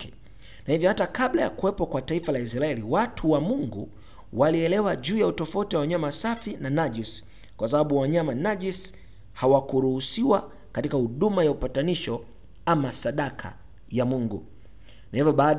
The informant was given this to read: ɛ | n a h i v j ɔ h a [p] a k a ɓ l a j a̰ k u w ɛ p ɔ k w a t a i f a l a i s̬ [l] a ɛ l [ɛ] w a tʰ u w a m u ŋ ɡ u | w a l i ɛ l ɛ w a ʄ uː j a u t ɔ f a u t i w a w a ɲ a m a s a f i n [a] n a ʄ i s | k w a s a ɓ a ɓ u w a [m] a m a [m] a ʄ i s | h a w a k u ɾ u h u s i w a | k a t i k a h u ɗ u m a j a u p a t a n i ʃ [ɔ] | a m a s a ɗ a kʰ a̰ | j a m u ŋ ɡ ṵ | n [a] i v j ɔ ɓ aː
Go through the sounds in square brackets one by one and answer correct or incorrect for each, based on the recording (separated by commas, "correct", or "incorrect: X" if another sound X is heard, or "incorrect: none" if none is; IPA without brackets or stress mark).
incorrect: t, incorrect: ɾ, incorrect: i, correct, incorrect: ɲ, incorrect: n, correct, correct